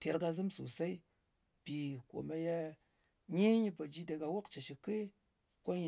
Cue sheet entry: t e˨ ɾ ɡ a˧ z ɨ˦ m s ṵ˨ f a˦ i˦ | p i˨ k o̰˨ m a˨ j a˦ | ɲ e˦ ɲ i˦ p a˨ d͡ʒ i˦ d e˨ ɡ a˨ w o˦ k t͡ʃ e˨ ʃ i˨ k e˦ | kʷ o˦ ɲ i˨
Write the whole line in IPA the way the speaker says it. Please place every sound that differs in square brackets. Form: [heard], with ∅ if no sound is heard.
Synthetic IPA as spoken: t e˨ ɾ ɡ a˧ z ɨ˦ m s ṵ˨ [s] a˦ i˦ | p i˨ k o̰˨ m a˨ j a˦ | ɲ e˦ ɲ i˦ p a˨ d͡ʒ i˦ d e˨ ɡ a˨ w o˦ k t͡ʃ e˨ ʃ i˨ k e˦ | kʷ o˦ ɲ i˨